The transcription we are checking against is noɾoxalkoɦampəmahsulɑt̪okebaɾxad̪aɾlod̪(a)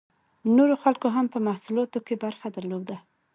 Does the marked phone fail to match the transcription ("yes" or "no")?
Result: no